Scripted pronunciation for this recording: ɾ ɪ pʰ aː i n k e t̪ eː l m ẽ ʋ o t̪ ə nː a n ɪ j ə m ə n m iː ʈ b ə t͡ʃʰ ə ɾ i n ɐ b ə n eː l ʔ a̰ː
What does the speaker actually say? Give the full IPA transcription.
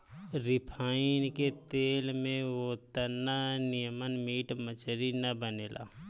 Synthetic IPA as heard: ɾ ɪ pʰ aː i n k e t̪ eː l m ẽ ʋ o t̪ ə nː a n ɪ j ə m ə n m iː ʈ m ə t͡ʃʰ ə ɾ i n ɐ b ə n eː l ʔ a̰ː